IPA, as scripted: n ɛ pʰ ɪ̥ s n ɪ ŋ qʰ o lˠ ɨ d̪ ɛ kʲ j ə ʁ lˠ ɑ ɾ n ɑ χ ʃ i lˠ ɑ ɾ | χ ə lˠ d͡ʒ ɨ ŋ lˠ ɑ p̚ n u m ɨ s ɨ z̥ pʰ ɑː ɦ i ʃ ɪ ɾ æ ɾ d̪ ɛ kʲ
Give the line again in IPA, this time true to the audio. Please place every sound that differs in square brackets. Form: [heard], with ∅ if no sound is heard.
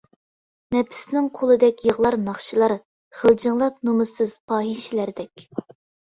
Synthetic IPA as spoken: n ɛ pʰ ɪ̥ s n ɪ ŋ qʰ o lˠ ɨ d̪ ɛ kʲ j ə ʁ lˠ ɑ ɾ n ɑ χ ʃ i lˠ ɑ ɾ | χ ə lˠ d͡ʒ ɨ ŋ lˠ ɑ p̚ n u m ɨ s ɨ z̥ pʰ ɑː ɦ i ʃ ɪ [l] æ ɾ d̪ ɛ kʲ